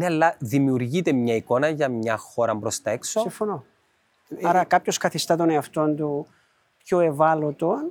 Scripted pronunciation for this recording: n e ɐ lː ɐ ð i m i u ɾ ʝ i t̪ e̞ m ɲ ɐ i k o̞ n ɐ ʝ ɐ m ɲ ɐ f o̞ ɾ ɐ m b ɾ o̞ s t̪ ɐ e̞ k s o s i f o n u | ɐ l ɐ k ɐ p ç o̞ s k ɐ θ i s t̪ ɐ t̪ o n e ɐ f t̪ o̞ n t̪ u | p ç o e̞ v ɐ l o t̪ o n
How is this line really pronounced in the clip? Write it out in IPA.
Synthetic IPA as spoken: n e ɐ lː ɐ ð i m i u ɾ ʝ i t̪ e̞ m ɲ ɐ i k o̞ n ɐ ʝ ɐ m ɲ ɐ x o̞ ɾ ɐ m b ɾ o̞ s t̪ ɐ e̞ k s o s i f o n o | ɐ ɾ ɐ k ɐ p ç o̞ s k ɐ θ i s t̪ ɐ t̪ o n e ɐ f t̪ o̞ n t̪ u | p ç o e̞ v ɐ l o t̪ o n